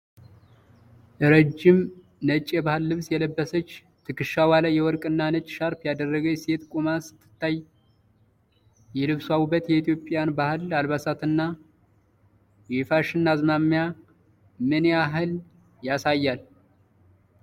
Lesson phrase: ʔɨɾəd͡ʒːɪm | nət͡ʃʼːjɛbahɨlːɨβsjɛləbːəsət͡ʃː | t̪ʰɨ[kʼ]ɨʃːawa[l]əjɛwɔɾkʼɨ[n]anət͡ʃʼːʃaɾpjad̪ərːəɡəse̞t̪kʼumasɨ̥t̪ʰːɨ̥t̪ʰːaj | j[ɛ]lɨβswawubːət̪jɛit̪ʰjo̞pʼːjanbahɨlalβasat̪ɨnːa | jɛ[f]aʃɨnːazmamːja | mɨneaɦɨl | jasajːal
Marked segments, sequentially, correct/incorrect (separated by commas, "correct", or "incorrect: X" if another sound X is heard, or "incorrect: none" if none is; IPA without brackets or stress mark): incorrect: k, correct, incorrect: nː, correct, correct